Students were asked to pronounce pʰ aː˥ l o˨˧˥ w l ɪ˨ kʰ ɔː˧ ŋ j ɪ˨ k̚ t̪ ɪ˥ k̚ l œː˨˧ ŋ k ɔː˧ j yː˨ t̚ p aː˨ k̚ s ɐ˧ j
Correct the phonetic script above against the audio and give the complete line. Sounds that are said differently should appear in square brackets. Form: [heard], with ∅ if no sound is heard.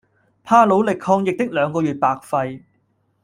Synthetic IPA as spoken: pʰ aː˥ l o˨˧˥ w l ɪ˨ kʰ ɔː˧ ŋ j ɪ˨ k̚ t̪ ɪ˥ k̚ l œː˨˧ ŋ k ɔː˧ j yː˨ t̚ p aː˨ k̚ [f] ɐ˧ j